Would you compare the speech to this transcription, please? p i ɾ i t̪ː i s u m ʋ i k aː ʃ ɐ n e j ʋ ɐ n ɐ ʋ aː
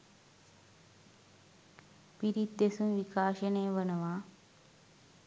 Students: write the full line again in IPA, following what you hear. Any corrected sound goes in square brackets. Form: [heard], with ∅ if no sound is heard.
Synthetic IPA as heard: p i ɾ i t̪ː [e] s u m ʋ i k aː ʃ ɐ n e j ʋ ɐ n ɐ ʋ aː